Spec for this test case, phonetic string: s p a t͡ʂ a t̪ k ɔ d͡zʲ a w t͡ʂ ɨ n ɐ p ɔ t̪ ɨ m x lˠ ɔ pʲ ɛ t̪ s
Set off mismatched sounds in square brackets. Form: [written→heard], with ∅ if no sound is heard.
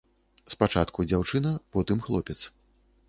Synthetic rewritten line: s p a t͡ʂ a t̪ k [ɔ→u] d͡zʲ a w t͡ʂ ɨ n ɐ p ɔ t̪ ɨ m x lˠ ɔ pʲ ɛ t̪ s